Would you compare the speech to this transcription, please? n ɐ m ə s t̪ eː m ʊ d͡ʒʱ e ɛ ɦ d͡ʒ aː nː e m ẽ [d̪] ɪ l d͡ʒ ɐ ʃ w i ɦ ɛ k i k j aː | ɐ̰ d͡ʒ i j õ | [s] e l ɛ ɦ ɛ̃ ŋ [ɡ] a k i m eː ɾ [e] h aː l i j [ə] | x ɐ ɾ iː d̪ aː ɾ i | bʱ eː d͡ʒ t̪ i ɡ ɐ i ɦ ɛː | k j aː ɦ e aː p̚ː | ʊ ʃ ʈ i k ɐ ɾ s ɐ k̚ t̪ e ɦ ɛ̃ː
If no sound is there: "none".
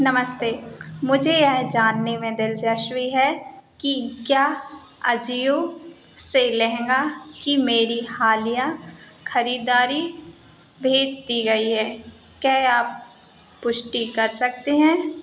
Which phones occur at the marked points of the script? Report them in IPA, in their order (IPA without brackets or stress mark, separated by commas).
d̪, s, ɡ, i, a